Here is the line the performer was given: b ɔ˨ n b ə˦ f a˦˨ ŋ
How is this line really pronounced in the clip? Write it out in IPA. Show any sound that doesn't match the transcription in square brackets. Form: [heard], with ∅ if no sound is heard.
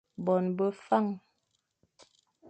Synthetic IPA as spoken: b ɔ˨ n b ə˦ f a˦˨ ŋ